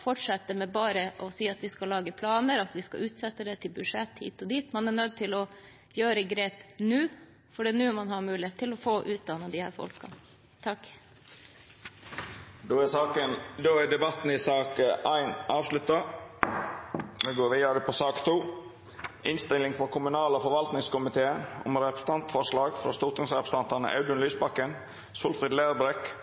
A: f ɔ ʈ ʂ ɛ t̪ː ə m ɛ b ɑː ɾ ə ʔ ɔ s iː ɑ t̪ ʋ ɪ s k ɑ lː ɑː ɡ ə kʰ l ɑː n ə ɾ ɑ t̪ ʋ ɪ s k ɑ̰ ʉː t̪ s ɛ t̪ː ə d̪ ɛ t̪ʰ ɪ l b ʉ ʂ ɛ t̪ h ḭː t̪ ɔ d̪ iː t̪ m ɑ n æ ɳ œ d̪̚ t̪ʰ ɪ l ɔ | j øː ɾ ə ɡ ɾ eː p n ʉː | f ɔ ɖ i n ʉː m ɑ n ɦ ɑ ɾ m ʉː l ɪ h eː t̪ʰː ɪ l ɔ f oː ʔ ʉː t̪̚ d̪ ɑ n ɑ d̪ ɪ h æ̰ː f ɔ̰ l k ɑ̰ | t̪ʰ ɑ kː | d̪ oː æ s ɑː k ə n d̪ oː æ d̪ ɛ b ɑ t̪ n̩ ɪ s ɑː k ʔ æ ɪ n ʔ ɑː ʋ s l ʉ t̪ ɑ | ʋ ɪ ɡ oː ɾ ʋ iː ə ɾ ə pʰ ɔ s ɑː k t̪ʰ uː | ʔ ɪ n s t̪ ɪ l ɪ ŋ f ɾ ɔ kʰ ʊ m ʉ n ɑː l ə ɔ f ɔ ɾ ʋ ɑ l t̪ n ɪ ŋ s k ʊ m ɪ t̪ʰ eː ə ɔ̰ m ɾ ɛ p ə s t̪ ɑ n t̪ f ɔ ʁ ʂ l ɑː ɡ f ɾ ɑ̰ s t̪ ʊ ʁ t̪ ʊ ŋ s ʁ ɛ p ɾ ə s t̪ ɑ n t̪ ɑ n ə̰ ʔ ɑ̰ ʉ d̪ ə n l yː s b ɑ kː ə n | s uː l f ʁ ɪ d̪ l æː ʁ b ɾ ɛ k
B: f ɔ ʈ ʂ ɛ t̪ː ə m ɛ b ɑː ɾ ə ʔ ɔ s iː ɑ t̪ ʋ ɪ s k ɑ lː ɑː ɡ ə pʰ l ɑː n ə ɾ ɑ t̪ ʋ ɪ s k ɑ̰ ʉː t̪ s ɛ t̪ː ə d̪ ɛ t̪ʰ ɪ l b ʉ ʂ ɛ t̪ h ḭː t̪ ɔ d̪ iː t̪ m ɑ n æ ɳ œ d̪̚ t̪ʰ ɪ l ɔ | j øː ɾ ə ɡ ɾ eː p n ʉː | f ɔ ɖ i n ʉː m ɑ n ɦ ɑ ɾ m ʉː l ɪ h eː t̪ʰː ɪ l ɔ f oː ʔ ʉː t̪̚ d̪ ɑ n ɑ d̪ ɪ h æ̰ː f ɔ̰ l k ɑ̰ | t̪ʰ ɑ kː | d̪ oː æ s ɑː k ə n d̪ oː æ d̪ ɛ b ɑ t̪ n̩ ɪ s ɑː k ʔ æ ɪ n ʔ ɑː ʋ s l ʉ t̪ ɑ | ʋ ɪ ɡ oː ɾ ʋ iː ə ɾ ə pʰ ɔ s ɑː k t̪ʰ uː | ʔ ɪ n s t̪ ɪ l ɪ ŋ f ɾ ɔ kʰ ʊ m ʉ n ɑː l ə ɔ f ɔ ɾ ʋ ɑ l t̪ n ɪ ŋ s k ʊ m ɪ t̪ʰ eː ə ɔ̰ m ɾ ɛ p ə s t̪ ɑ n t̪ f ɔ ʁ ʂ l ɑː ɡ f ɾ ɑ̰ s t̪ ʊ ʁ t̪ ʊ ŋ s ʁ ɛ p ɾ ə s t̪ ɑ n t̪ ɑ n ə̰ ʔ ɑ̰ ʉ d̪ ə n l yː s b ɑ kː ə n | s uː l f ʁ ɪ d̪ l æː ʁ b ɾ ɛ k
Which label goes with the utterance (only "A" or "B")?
B